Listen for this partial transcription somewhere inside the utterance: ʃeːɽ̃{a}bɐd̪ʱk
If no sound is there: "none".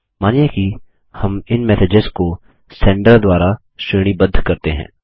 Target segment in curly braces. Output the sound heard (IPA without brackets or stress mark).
i